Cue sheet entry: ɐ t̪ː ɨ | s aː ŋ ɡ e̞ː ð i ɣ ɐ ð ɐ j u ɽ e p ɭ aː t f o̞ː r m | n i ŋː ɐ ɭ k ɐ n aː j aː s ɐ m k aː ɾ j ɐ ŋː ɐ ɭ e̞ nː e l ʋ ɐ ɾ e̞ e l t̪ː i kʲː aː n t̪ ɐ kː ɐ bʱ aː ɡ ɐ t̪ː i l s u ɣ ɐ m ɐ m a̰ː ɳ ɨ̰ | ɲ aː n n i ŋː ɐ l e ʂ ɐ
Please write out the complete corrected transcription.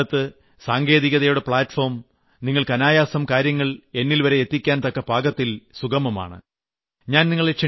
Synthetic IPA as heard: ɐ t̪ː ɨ | s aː ŋ ɡ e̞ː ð i ɣ ɐ ð ɐ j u ɽ e p ɭ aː t f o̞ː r m | n i ŋː ɐ ɭ k ɐ n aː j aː s ɐ m k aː ɾ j ɐ ŋː ɐ ɭ e̞ nː i l ʋ ɐ ɾ e̞ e t̪ː i kʲː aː n t̪ ɐ kː ɐ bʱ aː ɡ ɐ t̪ː i l s u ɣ ɐ m ɐ m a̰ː ɳ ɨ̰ | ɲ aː n n i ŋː ɐ ɭ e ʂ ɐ